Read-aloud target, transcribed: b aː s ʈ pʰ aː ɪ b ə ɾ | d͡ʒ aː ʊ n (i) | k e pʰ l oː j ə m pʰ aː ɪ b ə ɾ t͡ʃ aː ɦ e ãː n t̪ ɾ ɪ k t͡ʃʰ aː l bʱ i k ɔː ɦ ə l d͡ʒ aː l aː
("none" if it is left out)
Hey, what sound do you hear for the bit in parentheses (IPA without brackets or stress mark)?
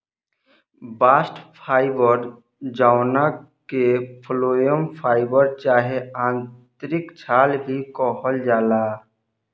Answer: a